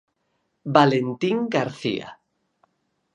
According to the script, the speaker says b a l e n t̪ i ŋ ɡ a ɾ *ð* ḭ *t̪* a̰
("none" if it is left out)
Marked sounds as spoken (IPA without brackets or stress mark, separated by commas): θ, none